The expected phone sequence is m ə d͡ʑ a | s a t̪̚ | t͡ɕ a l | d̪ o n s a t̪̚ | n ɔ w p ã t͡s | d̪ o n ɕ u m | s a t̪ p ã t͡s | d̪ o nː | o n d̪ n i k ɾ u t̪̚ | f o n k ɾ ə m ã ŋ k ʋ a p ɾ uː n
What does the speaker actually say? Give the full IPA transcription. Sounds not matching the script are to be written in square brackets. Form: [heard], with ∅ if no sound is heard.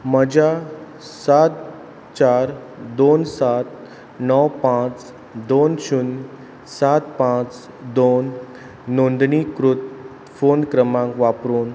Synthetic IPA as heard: m ə d͡ʑ a | s a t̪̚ | t͡ɕ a [ɾ] | d̪ o n s a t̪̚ | n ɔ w p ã t͡s | d̪ o n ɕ u [n] | s a t̪ p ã t͡s | d̪ o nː | o n d̪ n i k ɾ u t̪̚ | f o n k ɾ ə m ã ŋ k ʋ a p ɾ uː n